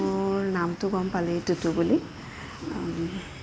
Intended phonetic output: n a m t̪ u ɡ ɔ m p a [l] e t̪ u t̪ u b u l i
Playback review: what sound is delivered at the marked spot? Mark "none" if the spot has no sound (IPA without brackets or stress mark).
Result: l